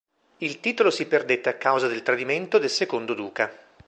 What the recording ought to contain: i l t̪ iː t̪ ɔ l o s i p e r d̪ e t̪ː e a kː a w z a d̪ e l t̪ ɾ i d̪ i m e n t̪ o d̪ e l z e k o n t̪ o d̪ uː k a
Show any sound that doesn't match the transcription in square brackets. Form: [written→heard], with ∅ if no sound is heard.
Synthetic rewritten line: i l t̪ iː t̪ [ɔ→o] l o s i p e r d̪ e t̪ː e a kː a w z a d̪ e l t̪ ɾ [i→a] d̪ i m e n t̪ o d̪ e l [z→s] e k o n [t̪→d̪] o d̪ uː k a